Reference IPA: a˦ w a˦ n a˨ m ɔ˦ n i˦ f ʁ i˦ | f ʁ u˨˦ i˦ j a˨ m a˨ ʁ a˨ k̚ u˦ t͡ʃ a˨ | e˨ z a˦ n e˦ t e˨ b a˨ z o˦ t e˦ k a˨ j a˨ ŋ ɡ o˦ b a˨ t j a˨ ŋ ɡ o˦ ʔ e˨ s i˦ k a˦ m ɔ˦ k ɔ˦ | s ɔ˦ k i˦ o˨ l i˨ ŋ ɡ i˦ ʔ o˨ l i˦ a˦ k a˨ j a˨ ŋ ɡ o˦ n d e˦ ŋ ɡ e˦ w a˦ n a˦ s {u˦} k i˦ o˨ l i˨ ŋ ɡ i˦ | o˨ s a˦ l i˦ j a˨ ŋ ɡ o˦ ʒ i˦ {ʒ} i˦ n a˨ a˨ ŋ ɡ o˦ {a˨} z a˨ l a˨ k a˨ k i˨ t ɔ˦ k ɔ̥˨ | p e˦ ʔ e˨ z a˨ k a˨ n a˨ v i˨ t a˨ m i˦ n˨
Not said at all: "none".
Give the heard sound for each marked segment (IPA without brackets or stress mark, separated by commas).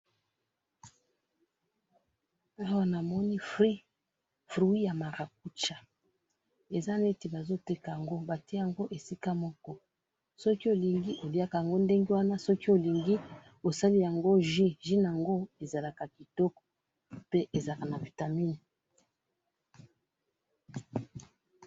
ɔ˦, ʒ, e˨